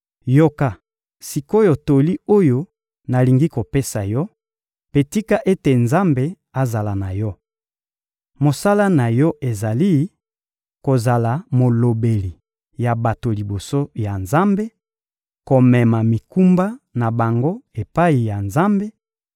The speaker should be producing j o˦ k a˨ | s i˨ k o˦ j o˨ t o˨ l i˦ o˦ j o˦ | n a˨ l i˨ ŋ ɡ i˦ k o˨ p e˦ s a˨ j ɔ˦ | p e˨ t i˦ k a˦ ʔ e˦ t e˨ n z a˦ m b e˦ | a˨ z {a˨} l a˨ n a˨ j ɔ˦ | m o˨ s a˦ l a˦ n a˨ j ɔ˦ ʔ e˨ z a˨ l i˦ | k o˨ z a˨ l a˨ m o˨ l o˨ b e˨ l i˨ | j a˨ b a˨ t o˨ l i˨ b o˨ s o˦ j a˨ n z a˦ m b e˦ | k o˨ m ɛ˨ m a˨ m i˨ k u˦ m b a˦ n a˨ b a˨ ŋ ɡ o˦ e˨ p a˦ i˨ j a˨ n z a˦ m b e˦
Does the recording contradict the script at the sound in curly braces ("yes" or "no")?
no